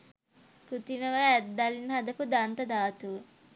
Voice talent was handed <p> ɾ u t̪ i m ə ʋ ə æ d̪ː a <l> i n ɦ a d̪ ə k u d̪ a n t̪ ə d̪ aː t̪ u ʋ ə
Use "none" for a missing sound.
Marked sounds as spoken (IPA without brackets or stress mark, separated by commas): k, l